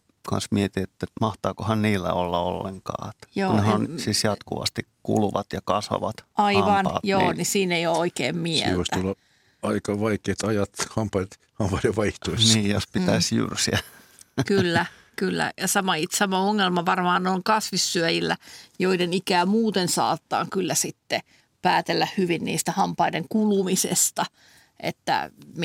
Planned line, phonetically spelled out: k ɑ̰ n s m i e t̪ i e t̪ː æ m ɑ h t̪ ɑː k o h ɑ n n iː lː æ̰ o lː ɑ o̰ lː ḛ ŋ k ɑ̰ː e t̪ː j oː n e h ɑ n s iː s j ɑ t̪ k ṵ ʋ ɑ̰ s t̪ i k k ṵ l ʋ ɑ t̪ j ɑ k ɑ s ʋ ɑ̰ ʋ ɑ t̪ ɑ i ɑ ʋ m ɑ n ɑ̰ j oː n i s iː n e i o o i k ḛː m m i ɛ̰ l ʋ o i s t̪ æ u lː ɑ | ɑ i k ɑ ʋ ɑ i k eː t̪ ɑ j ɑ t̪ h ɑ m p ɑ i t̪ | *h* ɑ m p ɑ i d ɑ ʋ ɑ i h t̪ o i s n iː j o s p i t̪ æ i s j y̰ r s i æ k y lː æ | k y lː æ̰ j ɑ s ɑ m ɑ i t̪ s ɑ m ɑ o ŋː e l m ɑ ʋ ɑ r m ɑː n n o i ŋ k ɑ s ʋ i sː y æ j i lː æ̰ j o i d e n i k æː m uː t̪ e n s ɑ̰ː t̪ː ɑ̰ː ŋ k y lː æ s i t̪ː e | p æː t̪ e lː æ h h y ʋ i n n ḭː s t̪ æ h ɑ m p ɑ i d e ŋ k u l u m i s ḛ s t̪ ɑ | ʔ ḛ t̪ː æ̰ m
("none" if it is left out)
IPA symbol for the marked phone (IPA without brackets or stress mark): h